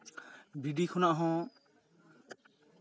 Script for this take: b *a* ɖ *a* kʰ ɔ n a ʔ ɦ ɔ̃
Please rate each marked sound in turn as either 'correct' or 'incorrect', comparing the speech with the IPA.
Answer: incorrect, incorrect

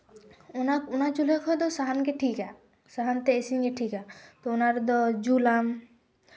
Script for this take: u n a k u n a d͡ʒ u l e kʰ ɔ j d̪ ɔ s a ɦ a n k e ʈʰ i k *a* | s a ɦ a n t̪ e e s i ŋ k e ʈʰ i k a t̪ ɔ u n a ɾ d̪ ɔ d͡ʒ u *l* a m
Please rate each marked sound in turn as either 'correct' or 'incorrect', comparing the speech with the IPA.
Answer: correct, correct

